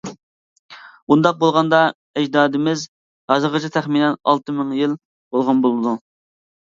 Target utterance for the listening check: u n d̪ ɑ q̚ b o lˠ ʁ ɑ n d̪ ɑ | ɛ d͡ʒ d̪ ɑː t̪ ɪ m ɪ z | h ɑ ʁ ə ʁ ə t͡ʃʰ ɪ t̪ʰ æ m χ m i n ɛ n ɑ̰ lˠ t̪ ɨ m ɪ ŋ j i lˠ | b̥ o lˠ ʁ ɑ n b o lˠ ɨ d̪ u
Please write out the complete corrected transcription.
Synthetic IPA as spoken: u n d̪ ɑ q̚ b o lˠ ʁ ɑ n d̪ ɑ | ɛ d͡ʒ d̪ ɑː d̪ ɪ m ɪ z | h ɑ z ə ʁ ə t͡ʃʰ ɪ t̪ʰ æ χ m i n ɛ n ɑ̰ lˠ t̪ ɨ m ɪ ŋ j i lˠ | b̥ o lˠ ʁ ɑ n b o lˠ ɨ d̪ u

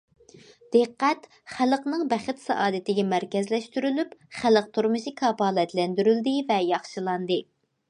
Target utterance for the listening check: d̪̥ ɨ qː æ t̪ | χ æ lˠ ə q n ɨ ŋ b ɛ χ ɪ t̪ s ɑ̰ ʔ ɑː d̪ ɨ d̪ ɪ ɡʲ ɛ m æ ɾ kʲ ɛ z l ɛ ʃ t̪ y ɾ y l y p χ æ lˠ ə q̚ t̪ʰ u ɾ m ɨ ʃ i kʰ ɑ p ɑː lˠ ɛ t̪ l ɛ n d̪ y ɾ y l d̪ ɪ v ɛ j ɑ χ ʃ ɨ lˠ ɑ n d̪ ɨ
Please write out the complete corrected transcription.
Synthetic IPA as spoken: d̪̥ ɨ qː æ t̪ | χ æ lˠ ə q n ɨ ŋ b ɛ χ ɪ t̪ s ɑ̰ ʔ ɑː d̪ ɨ t̪ ɪ ɡʲ ɛ m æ ɾ kʲ ɛ z l ɛ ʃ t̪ y ɾ y l y p χ æ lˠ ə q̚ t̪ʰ u ɾ m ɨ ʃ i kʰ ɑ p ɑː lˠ ɛ t̪ l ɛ n d̪ y ɾ y l d̪ ɪ v ɛ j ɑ χ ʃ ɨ lˠ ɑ n d̪ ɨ

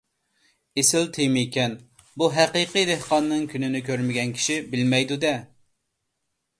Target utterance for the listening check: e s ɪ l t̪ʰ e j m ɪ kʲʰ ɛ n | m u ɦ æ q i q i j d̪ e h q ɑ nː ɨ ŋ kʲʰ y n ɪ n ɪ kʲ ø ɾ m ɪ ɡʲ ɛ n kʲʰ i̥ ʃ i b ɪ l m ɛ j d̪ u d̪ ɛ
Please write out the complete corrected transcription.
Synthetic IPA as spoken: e s ɪ l t̪ʰ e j m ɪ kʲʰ ɛ n | b u ɦ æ q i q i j d̪ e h q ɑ nː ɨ ŋ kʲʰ y n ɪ n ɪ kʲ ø ɾ m ɪ ɡʲ ɛ n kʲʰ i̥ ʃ i b ɪ l m ɛ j d̪ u d̪ ɛ

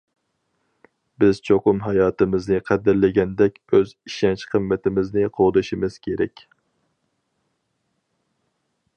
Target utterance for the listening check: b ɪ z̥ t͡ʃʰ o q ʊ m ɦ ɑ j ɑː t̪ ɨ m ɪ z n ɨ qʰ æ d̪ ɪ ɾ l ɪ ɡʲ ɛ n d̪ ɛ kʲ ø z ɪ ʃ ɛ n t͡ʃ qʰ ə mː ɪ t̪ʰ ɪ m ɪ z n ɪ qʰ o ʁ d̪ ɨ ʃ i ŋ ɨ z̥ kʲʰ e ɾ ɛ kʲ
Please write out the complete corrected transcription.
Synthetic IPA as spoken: b ɪ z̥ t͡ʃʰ o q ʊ m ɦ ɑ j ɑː t̪ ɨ m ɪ z n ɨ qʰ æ d̪ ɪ ɾ l ɪ ɡʲ ɛ n d̪ ɛ kʲ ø z i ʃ ɛ n t͡ʃ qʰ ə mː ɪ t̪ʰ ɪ m ɪ z n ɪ qʰ o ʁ d̪ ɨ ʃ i m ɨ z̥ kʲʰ e ɾ ɛ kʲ

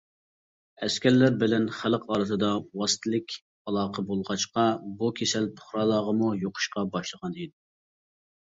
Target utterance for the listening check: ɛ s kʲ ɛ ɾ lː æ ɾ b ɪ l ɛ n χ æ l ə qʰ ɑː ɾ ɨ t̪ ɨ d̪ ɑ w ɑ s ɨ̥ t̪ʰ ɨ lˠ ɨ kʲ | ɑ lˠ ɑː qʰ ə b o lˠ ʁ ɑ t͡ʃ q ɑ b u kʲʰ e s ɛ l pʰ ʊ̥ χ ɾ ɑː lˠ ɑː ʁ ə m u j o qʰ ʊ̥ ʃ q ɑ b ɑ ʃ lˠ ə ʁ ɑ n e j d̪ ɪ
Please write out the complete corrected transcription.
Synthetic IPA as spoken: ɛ s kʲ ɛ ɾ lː æ ɾ b ɪ l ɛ n χ æ l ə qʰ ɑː ɾ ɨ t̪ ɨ d̪ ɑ w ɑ s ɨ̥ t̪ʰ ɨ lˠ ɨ kʲ | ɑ lˠ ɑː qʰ ə b o lˠ ʁ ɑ t͡ʃ q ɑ b u kʲʰ e s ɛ l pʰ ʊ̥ χ ɾ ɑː lˠ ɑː ʁ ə m u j o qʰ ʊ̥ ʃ q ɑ b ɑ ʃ lˠ ə ʁ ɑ n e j d̪ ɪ

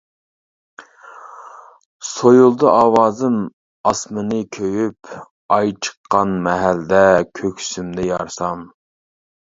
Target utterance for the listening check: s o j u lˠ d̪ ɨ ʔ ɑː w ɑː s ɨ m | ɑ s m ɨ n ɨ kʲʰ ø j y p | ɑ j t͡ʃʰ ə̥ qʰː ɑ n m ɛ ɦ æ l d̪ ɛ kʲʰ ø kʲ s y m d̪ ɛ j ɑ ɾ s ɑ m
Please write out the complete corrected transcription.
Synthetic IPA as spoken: s o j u lˠ d̪ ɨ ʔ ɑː w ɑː z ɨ m | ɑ s m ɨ n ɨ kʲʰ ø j y p | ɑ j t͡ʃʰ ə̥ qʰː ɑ n m ɛ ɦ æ l d̪ ɛ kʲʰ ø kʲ s y m d̪ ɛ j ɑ ɾ s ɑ m

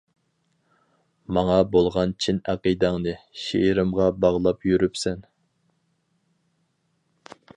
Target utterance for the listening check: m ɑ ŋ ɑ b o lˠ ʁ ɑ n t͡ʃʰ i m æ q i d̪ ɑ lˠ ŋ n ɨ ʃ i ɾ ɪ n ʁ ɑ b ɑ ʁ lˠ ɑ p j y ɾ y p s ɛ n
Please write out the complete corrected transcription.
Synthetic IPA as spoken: m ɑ ŋ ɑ b o lˠ ʁ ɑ n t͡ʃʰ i n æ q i d̪ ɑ ŋ n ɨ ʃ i ɾ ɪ m ʁ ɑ b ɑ ʁ lˠ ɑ p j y ɾ y p s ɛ n

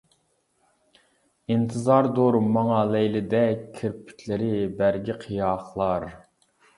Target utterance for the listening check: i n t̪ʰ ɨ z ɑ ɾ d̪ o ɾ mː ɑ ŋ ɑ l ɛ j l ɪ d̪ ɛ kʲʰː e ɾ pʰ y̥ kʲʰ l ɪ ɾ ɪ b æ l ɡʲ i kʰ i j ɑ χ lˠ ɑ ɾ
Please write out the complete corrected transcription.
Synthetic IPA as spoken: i n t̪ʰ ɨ z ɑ ɾ d̪ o ɾ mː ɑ ŋ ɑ l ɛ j l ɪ d̪ ɛ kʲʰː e ɾ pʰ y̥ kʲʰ l ɪ ɾ ɪ b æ ɾ ɡʲ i qʰ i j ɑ χ lˠ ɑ ɾ

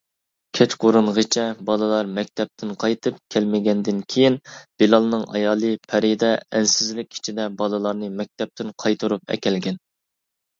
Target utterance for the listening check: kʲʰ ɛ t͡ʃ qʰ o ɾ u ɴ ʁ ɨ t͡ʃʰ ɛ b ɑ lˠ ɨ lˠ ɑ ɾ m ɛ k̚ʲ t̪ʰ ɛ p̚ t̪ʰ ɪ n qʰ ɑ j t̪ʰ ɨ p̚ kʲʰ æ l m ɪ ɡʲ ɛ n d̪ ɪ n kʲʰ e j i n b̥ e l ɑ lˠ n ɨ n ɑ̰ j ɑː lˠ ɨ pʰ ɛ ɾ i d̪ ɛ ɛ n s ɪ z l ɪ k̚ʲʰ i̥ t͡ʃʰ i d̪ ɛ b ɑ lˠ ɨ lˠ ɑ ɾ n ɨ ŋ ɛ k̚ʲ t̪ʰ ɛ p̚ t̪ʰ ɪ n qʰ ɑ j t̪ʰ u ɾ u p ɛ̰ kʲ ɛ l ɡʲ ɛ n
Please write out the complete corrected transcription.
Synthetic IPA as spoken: kʲʰ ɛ t͡ʃ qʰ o ɾ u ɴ ʁ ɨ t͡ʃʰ ɛ b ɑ lˠ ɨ lˠ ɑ ɾ m ɛ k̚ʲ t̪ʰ ɛ p̚ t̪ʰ ɪ n qʰ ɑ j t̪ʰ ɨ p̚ kʲʰ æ l m ɪ ɡʲ ɛ n d̪ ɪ n kʲʰ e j i n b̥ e l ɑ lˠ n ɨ ŋ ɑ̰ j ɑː lˠ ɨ pʰ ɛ ɾ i d̪ ɛ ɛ n s ɪ z l ɪ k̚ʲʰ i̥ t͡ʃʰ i d̪ ɛ b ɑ lˠ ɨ lˠ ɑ ɾ n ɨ m ɛ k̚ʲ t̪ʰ ɛ p̚ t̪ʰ ɪ n qʰ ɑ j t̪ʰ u ɾ u p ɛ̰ kʲ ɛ l ɡʲ ɛ n

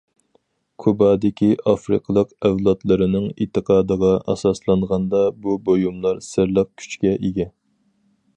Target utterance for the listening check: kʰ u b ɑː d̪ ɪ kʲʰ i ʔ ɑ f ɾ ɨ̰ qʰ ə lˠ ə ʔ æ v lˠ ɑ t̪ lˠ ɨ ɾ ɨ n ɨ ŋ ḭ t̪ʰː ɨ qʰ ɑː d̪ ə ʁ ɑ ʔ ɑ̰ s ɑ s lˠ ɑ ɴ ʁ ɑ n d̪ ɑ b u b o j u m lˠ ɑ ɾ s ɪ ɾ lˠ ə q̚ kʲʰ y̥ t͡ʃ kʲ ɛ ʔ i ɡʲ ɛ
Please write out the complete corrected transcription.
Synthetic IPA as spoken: kʰ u b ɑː d̪ ɪ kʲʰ i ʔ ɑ f ɾ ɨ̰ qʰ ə lˠ ə q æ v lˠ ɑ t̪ lˠ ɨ ɾ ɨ n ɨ ŋ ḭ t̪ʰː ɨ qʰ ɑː d̪ ə ʁ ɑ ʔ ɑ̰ s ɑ s lˠ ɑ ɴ ʁ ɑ n d̪ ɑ b u b o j u m lˠ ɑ ɾ s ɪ ɾ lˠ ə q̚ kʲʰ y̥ t͡ʃ kʲ ɛ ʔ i ɡʲ ɛ

